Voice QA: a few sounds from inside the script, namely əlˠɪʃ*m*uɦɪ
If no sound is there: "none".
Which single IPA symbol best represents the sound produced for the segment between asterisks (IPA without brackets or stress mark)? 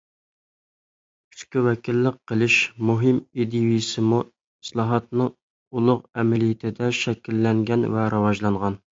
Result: m